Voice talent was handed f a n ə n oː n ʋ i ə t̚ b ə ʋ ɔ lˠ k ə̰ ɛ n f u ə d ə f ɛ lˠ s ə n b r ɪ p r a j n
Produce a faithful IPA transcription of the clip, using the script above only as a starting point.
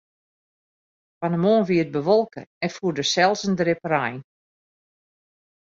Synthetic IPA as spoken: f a n ə m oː n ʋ i ə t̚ b ə ʋ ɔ lˠ k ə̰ ɛ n f u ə d ə s ɛ lˠ s ə n d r ɪ p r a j n